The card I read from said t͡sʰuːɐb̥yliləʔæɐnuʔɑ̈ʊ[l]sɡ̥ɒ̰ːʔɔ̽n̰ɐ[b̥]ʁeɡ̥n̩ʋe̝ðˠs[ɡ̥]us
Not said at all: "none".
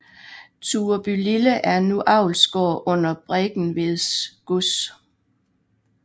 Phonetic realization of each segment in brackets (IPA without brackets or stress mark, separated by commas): l, b̥, ɡ̥